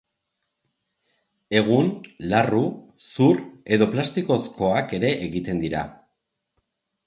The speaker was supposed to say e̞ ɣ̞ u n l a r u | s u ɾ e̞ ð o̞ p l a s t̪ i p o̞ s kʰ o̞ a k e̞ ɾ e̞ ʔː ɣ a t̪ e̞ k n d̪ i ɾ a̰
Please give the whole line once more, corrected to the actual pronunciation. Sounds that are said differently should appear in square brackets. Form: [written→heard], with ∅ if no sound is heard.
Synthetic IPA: e̞ ɣ̞ u n l a r u | s u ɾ e̞ ð o̞ p l a s t̪ i [p→k] o̞ s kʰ o̞ a k e̞ ɾ e̞ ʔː ɣ [a→i] t̪ e̞ [k→∅] n d̪ i ɾ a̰